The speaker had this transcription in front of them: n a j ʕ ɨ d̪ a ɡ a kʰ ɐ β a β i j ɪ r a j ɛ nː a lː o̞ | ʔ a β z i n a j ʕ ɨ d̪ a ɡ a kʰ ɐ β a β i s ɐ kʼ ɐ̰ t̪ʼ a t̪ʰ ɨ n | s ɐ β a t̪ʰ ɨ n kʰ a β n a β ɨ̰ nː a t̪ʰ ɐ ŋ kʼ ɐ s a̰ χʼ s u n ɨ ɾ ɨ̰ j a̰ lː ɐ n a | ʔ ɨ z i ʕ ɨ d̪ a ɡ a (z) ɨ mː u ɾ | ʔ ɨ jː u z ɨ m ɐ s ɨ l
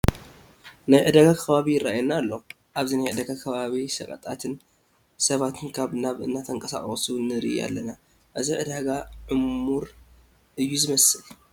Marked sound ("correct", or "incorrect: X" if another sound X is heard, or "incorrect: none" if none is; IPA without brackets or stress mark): incorrect: ʕ